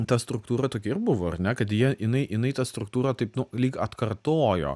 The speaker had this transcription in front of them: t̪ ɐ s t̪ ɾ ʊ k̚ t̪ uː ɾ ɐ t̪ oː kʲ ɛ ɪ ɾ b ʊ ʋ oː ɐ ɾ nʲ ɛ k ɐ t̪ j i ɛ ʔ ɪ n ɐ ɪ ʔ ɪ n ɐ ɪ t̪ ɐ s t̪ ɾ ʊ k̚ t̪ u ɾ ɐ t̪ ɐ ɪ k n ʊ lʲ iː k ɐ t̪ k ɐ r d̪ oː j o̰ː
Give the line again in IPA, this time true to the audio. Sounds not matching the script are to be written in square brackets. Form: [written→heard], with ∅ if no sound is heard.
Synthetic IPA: t̪ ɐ s t̪ ɾ ʊ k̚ t̪ uː ɾ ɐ t̪ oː kʲ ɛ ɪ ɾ b ʊ ʋ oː ɐ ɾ nʲ ɛ k ɐ t̪ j i ɛ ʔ ɪ n ɐ ɪ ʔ ɪ n ɐ ɪ t̪ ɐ s t̪ ɾ ʊ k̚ t̪ [u→uː] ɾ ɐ t̪ ɐ ɪ [k→p] n ʊ lʲ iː k ɐ t̪ k ɐ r [d̪→t̪] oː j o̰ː